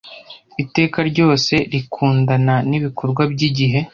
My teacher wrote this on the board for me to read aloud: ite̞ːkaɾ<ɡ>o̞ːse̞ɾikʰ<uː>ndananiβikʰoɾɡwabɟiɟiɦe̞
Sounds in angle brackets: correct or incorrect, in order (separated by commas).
incorrect, correct